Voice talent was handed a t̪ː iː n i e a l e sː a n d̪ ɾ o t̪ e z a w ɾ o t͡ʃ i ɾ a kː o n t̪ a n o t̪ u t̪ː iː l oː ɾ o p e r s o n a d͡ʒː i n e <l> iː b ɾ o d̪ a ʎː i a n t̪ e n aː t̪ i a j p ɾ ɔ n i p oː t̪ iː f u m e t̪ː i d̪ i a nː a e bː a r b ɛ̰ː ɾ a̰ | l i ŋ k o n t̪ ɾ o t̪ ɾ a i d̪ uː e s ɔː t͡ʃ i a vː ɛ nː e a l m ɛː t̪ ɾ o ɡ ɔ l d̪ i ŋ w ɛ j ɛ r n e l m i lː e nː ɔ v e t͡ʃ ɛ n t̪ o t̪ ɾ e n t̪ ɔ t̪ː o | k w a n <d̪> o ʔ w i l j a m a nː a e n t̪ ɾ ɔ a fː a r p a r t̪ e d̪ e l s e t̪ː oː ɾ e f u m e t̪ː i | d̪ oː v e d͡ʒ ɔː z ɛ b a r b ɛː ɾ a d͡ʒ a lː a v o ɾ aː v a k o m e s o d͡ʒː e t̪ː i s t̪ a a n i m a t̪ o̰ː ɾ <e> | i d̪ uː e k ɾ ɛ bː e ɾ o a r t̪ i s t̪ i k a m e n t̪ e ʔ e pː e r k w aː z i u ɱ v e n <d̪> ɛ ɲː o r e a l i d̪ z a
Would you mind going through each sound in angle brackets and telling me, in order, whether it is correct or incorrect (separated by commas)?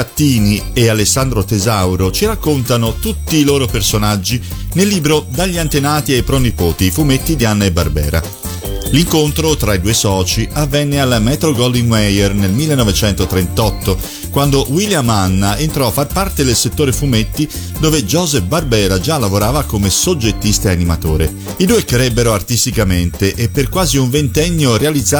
incorrect, correct, correct, incorrect